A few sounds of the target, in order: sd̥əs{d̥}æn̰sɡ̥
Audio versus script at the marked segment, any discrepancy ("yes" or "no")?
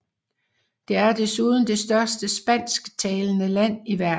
yes